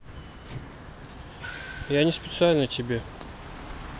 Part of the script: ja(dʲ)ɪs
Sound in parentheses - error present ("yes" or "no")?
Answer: yes